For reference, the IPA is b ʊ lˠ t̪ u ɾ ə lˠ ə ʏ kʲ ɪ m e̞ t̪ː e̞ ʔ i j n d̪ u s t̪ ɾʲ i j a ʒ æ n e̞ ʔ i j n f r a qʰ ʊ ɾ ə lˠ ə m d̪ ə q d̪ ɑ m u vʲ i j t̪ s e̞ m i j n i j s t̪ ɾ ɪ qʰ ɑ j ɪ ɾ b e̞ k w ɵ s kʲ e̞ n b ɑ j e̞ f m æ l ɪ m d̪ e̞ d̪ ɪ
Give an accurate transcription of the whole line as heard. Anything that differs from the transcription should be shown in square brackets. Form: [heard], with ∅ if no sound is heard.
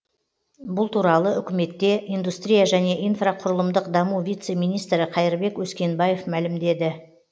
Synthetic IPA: b ʊ lˠ t̪ u ɾ [ɑ] lˠ ə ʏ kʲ ɪ m e̞ t̪ː e̞ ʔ i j n d̪ u s t̪ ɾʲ i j a ʒ æ n e̞ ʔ i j n f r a qʰ ʊ ɾ ə lˠ ə m d̪ ə q d̪ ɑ m u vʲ i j t̪ s e̞ m i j n i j s t̪ ɾ ɪ qʰ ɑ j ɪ ɾ b e̞ k w ɵ s kʲ e̞ n b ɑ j e̞ f m æ l ɪ m d̪ e̞ d̪ ɪ

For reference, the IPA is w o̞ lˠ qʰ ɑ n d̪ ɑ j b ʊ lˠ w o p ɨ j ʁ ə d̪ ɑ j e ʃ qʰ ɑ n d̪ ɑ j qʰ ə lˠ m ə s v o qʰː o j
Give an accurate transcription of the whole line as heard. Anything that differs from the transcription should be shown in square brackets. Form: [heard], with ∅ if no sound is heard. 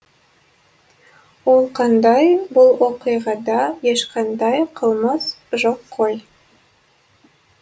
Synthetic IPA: w o̞ lˠ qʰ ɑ n d̪ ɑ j b ʊ lˠ w o [q] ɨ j ʁ [ɑ] d̪ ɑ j e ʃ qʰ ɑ n d̪ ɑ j qʰ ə lˠ m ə s [ʒ] o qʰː o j

